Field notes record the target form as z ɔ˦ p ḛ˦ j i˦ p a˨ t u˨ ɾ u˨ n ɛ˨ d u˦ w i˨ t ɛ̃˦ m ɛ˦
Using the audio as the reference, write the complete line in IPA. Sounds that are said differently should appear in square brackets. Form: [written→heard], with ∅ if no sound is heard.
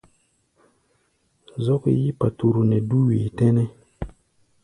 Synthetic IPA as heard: z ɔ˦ [p→k] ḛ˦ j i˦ p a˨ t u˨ ɾ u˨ n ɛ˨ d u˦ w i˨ t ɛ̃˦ [m→n] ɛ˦